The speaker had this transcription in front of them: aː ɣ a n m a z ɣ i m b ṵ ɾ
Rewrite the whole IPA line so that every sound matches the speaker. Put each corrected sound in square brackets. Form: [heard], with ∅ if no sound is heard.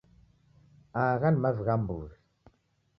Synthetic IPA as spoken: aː ɣ a n m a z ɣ [a] m b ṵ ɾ